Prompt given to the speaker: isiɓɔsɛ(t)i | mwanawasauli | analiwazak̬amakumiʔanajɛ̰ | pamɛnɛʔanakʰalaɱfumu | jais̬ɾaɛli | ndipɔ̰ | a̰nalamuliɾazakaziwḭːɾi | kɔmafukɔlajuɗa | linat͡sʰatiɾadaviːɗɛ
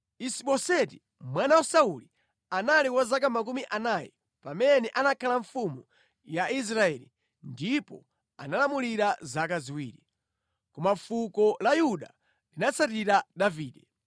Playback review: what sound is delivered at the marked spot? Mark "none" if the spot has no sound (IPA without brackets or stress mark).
t